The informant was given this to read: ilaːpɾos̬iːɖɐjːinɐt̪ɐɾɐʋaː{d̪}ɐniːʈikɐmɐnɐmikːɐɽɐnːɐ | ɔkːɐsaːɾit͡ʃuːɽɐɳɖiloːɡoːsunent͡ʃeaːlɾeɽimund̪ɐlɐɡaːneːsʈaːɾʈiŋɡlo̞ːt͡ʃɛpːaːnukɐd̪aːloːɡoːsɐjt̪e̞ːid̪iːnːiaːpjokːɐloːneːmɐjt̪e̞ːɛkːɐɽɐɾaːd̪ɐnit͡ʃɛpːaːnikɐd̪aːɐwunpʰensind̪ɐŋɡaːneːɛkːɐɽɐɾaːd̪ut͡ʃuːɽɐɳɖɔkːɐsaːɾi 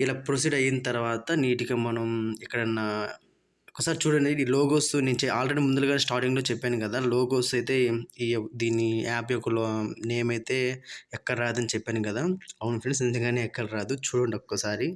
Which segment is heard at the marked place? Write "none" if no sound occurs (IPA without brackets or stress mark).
t̪